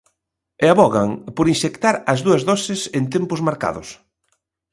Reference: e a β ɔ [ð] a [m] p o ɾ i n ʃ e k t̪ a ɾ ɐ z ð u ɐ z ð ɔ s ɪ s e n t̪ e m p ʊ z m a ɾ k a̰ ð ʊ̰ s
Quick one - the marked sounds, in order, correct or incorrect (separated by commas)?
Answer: incorrect, incorrect